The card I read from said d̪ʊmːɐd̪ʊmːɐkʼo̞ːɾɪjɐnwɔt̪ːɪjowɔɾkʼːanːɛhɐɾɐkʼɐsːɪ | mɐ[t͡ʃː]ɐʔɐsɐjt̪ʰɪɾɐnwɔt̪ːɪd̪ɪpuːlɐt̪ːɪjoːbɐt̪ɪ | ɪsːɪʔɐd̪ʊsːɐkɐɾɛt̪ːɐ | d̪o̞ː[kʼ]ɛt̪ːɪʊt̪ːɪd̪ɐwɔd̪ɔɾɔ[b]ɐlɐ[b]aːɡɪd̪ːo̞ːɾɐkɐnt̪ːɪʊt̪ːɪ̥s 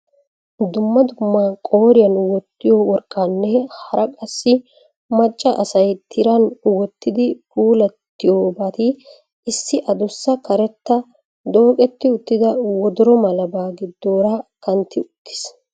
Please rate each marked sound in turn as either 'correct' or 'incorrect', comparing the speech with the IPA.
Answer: incorrect: t͡ʃʼː, correct, incorrect: m, correct

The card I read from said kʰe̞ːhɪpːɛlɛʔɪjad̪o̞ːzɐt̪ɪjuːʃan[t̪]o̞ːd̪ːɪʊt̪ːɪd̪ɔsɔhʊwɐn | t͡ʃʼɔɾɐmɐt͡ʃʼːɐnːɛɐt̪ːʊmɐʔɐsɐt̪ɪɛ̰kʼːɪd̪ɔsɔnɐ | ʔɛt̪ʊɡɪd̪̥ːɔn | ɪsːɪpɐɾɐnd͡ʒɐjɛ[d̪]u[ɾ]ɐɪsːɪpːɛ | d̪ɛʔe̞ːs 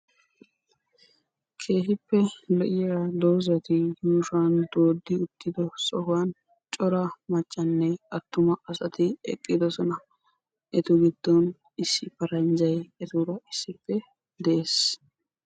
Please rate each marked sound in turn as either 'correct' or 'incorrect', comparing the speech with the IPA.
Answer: incorrect: d̪, incorrect: t̪, correct

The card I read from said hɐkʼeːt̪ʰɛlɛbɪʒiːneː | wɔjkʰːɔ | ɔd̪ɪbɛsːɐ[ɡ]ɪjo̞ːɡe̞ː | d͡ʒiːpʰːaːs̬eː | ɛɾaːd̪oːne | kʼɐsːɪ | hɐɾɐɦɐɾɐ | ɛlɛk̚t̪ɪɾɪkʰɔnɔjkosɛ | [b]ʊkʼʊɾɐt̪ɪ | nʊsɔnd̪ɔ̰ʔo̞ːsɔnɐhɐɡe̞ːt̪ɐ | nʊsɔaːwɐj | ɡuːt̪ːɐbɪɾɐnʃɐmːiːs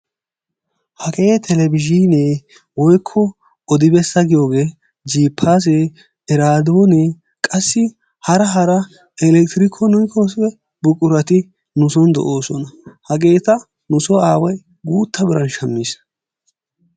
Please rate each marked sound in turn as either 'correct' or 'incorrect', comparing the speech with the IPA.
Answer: correct, correct

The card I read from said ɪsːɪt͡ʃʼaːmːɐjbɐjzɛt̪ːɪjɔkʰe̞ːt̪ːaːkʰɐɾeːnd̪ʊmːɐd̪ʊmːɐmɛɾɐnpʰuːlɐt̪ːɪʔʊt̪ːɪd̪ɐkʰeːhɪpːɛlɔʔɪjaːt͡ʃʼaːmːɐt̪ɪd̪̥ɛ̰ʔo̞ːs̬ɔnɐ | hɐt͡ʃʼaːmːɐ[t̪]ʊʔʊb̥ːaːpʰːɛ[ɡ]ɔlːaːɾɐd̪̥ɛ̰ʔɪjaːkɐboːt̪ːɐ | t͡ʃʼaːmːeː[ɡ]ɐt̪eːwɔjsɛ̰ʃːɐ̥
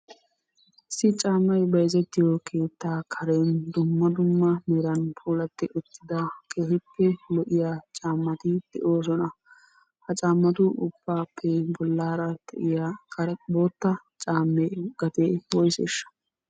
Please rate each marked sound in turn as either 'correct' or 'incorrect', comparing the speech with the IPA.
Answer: correct, incorrect: b, correct

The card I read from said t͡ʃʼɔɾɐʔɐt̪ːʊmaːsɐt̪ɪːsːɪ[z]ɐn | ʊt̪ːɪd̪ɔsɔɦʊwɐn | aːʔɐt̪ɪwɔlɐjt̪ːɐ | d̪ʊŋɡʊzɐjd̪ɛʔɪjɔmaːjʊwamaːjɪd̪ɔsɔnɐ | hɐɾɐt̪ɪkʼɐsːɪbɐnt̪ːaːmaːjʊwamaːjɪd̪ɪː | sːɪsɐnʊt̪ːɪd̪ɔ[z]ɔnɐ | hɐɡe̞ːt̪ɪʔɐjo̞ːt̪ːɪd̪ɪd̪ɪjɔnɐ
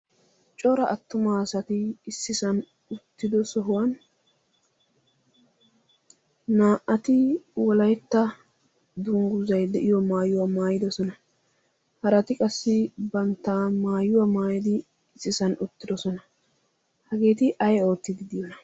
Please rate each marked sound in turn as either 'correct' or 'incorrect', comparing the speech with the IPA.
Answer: incorrect: s, incorrect: s

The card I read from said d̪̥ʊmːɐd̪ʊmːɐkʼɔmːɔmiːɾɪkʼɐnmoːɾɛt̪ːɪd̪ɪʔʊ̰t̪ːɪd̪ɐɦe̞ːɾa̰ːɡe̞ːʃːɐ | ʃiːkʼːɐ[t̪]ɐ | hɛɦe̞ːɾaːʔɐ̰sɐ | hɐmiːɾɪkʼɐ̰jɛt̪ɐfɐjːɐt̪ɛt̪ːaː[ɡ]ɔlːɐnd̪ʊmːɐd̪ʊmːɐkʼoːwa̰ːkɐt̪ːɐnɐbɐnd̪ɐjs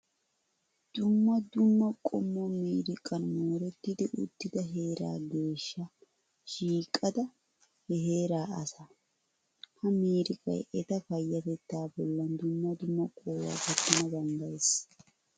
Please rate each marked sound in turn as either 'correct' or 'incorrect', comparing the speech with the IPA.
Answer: incorrect: d̪, incorrect: b

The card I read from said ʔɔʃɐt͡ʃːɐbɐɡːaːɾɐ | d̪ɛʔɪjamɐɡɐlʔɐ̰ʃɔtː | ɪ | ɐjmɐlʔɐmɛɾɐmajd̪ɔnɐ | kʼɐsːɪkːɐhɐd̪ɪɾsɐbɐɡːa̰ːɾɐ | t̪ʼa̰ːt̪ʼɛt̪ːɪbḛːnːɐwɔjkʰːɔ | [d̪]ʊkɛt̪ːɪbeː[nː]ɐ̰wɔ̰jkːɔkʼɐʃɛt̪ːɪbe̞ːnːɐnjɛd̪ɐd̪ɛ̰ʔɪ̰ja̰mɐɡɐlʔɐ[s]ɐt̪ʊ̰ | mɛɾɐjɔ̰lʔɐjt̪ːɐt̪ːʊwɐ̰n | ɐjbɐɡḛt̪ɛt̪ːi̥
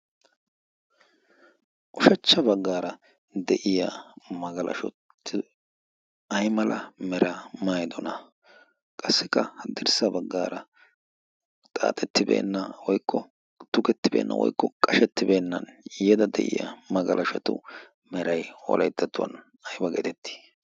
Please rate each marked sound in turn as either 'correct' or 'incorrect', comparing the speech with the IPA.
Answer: incorrect: t̪, correct, incorrect: ʃ

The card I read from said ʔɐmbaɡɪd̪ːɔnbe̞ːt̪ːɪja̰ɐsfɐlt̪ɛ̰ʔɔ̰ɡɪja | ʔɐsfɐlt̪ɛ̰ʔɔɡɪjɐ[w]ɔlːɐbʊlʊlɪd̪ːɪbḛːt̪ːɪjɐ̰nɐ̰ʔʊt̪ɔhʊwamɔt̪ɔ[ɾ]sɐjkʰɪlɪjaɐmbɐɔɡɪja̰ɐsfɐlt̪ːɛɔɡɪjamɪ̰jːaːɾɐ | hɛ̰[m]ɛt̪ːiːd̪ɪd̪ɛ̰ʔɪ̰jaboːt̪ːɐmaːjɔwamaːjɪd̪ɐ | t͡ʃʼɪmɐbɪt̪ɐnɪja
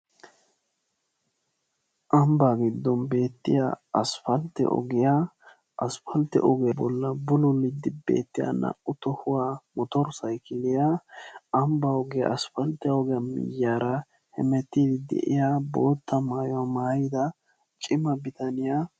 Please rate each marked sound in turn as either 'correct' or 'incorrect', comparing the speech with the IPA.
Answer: incorrect: b, correct, correct

